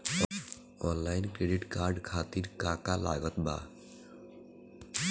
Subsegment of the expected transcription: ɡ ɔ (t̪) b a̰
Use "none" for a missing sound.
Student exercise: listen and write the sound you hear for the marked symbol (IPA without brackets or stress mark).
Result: t̪